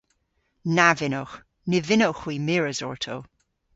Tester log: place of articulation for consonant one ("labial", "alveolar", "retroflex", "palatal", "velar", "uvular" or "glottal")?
alveolar